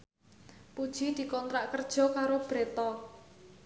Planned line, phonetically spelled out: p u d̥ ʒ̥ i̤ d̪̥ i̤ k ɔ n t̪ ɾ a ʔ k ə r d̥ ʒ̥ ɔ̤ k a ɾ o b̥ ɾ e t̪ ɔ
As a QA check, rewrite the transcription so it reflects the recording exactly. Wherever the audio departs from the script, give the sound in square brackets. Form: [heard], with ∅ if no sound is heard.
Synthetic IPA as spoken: p u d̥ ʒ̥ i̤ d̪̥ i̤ k ɔ n t̪ ɾ a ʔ k ə r d̥ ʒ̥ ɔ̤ k a ɾ o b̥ ɾ e t̪ ɔ